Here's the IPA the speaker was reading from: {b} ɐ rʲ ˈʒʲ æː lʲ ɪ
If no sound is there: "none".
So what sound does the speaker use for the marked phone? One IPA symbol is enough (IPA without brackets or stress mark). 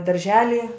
d